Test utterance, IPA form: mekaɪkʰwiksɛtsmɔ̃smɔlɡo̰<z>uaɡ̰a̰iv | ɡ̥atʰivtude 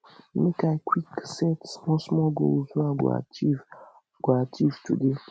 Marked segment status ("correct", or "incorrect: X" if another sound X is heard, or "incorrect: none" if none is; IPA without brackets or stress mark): correct